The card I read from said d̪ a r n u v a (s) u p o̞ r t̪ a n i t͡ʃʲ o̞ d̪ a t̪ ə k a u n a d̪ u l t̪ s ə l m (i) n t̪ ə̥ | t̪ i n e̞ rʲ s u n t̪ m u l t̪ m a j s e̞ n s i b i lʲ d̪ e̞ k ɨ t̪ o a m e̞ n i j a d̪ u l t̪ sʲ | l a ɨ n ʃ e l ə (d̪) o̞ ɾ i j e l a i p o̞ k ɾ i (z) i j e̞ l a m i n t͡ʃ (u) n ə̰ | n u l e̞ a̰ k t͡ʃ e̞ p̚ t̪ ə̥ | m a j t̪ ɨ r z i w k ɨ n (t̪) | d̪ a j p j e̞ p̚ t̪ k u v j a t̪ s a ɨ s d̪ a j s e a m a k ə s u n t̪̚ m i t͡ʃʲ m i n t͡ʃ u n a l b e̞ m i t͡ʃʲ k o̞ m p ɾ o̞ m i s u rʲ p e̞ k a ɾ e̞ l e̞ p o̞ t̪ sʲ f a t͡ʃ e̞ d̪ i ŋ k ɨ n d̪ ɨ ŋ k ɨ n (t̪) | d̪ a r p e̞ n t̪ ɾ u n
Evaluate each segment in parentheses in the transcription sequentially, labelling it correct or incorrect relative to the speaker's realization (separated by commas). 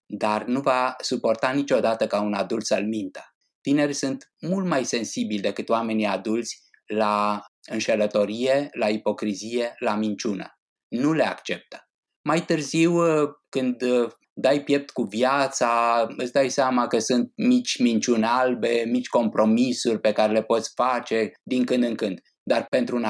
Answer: correct, correct, incorrect, correct, correct, incorrect, incorrect